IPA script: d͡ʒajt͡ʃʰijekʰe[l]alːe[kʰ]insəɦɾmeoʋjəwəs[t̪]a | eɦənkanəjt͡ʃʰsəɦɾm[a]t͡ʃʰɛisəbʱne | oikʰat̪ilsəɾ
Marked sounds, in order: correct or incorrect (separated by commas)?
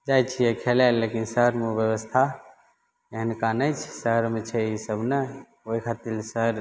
correct, incorrect, incorrect, incorrect